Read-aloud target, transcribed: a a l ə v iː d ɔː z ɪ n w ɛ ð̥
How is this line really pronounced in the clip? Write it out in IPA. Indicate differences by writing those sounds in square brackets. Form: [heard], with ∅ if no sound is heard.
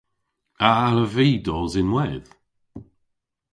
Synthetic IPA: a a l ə v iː d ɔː z ɪ n w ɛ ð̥